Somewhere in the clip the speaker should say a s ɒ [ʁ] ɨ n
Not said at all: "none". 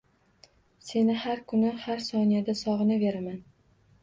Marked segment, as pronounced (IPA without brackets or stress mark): ʁ